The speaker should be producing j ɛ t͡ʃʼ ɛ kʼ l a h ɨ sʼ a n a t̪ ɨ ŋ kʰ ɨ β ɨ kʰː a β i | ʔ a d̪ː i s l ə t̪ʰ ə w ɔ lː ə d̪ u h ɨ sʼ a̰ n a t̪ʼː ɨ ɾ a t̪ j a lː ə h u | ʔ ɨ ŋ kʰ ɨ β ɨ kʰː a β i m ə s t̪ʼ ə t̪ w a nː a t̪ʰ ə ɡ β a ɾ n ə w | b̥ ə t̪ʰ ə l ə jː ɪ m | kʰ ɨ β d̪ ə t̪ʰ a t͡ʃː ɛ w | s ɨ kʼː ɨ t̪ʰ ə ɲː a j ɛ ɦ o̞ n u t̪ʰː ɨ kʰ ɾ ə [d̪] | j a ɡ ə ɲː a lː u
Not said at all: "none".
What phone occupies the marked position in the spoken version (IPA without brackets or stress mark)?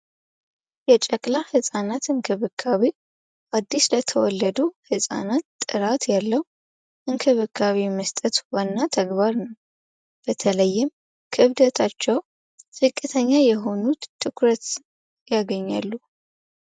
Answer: t̪